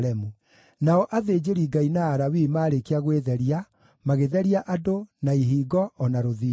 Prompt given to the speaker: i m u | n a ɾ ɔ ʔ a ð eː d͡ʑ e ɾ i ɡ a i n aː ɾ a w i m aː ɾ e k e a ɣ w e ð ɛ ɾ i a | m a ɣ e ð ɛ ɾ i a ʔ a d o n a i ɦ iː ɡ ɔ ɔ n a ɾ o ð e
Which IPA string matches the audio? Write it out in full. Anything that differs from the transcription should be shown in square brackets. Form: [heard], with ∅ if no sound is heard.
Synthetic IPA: [ɛ] m u | n a [∅] ɔ ʔ a ð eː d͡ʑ e ɾ i ɡ a i n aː ɾ a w i m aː ɾ e k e a ɣ w e ð ɛ ɾ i a | m a ɣ e ð ɛ ɾ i a ʔ a d o n a i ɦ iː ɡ ɔ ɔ n a ɾ o ð [i]